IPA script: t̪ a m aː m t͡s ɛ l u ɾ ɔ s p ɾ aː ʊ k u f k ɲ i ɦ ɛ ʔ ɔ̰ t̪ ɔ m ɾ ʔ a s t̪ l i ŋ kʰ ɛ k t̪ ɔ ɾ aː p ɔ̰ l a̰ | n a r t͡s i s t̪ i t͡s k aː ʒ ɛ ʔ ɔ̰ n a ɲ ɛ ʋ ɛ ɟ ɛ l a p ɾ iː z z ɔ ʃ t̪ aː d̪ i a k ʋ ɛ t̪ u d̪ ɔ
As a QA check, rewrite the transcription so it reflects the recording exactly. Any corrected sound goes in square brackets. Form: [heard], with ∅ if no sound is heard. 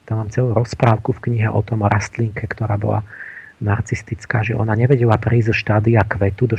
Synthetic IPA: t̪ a m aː m t͡s ɛ l u ɾ ɔ s p ɾ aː ʊ k u f k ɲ i ɦ ɛ ʔ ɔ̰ t̪ ɔ m ɾ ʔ a s t̪ l i ŋ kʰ ɛ k t̪ ɔ ɾ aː [b] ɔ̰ l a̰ | n a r t͡s i s t̪ i t͡s k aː ʒ ɛ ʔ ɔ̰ n a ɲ ɛ ʋ ɛ ɟ ɛ l a p ɾ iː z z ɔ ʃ t̪ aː d̪ i a k ʋ ɛ t̪ u d̪ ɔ